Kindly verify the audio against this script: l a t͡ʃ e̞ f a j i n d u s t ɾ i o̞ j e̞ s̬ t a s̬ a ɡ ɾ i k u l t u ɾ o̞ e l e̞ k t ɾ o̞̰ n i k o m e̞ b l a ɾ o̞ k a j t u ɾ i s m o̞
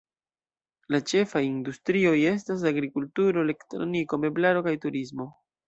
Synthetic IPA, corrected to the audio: l a t͡ʃ e̞ f a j i n d u s t ɾ i o̞ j e̞ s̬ t a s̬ a ɡ ɾ i k u l t u ɾ o̞ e l e̞ k t ɾ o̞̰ n i k o m e̞ b l a ɾ o̞ k a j t u ɾ i s m o̞